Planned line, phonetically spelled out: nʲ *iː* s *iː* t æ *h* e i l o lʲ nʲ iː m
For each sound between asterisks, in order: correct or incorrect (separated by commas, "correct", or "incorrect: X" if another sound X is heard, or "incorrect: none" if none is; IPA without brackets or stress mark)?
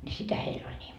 incorrect: i, incorrect: i, correct